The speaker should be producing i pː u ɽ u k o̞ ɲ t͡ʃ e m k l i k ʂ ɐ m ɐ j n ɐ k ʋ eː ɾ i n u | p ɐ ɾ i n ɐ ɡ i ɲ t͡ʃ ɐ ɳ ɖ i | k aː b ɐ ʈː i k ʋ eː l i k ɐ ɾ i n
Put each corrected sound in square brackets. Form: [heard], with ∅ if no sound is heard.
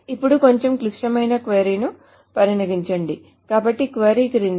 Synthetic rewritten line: i pː u ɽ u k o̞ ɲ t͡ʃ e m k l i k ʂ ɐ m ɐ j n ɐ k ʋ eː ɾ i n u | p ɐ ɾ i n ɐ ɡ i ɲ t͡ʃ ɐ ɳ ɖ i | k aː b ɐ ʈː i k ʋ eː [ɾ] i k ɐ ɾ i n